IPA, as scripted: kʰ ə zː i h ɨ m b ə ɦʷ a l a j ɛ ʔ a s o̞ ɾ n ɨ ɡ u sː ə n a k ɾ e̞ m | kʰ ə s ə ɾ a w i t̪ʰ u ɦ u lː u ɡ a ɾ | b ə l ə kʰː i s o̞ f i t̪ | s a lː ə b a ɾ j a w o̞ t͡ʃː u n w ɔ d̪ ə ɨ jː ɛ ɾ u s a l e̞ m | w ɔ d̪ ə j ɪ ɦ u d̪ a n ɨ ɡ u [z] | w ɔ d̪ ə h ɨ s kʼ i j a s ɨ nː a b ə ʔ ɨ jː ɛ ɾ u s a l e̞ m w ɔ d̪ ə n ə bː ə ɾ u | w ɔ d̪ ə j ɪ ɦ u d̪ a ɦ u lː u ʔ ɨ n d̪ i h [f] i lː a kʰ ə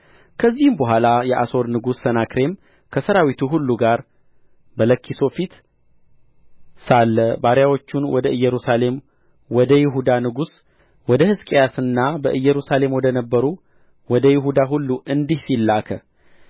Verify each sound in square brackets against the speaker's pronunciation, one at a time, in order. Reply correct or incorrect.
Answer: incorrect, incorrect

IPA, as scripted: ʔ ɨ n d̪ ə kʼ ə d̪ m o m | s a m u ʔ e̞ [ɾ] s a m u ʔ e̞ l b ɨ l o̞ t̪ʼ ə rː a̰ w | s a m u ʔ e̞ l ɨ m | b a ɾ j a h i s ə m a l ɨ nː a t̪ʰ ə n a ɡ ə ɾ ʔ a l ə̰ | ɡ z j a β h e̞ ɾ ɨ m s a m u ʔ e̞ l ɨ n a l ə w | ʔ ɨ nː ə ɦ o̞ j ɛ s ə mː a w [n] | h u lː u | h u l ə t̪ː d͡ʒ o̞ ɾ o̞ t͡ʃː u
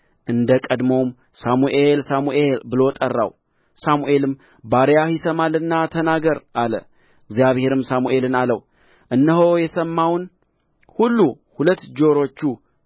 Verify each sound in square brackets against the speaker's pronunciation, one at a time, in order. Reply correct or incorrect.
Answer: incorrect, correct

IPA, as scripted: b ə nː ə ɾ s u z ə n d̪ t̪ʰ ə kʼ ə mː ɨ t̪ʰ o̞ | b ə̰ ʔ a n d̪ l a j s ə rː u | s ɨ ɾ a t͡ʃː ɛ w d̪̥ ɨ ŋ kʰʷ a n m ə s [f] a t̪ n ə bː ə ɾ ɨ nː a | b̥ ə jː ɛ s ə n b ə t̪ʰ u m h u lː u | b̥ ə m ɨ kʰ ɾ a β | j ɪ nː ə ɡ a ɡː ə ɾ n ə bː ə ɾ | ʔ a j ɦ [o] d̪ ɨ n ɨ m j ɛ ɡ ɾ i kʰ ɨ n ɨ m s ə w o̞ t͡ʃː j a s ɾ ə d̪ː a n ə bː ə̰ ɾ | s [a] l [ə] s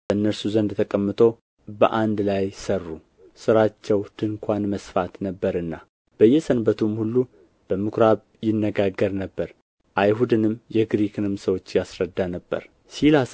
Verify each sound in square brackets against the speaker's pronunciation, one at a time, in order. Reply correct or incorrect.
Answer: correct, incorrect, incorrect, incorrect

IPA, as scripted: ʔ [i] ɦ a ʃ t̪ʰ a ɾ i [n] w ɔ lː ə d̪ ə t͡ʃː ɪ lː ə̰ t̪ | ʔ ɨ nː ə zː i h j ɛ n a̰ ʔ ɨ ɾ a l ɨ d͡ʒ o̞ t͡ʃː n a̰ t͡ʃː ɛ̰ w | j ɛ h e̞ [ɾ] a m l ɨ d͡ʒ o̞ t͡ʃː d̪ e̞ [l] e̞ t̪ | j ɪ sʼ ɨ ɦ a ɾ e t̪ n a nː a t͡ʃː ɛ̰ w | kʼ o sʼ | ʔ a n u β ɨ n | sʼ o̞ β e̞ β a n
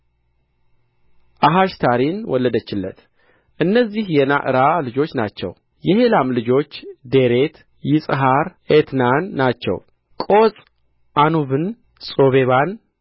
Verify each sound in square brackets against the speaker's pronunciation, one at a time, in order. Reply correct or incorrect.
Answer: incorrect, correct, incorrect, incorrect

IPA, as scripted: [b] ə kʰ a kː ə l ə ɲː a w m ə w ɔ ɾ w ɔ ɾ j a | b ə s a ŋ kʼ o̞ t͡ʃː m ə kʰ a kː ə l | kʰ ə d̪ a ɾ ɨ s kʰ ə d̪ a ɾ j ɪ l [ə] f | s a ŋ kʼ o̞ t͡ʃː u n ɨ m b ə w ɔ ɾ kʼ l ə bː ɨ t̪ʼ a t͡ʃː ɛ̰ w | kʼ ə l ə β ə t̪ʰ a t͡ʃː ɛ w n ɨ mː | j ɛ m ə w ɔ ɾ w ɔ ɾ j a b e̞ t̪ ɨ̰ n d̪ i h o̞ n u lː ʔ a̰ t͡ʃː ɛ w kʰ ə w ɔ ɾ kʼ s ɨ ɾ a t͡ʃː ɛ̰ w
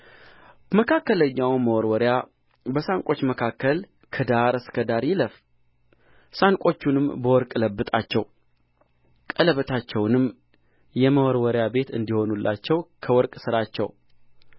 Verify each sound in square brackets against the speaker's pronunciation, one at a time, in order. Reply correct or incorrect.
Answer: incorrect, correct

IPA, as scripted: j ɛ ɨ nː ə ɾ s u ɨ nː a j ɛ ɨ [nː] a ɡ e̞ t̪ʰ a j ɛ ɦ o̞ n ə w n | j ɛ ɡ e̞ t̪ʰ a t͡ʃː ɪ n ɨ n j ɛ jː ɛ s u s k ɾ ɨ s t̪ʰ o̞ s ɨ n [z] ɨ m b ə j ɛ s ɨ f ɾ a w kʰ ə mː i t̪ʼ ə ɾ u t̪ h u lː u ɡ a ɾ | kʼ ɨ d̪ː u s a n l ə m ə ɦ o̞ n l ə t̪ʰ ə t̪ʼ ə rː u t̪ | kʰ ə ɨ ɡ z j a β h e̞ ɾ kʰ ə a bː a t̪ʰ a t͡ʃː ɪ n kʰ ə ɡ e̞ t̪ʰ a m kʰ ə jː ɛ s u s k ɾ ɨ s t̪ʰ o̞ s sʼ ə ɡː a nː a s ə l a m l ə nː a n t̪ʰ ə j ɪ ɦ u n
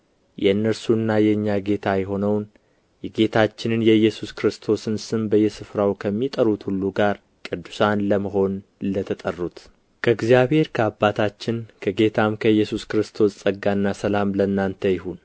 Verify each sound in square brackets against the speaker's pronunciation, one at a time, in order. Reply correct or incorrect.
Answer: incorrect, incorrect

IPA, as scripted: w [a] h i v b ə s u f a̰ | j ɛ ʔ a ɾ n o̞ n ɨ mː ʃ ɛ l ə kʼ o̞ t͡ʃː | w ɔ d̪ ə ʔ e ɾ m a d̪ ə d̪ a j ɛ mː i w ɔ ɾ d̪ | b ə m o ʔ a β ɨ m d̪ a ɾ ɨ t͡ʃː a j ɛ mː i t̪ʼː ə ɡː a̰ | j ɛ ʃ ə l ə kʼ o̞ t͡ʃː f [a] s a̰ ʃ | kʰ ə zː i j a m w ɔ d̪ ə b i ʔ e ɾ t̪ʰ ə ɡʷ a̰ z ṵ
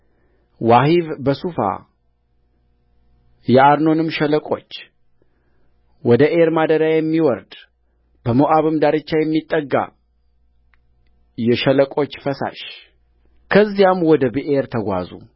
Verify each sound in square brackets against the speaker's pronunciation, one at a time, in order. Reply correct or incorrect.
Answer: correct, incorrect

